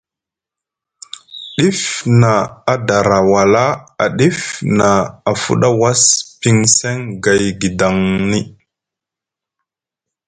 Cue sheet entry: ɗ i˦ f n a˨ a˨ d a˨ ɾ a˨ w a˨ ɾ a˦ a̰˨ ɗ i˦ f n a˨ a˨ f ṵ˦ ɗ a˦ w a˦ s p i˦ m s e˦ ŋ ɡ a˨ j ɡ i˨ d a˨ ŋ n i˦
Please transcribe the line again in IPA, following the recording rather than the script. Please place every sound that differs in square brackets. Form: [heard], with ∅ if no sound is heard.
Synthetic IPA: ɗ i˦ f n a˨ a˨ d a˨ ɾ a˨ w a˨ [l] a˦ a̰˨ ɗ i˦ f n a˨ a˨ f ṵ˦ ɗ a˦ w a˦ s p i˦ [ŋ] s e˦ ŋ ɡ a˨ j ɡ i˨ d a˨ ŋ n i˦